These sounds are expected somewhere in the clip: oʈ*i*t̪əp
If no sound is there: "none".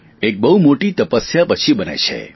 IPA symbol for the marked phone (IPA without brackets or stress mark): i